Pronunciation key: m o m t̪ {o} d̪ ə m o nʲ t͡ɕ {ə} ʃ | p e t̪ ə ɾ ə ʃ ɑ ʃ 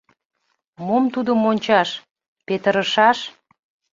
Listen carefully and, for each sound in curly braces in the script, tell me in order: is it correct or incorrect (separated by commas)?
incorrect, incorrect